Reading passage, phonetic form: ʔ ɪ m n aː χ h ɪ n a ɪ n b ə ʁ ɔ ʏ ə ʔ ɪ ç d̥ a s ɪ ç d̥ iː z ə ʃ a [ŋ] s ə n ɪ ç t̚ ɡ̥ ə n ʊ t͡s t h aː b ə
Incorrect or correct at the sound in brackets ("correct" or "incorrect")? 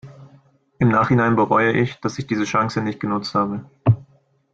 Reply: correct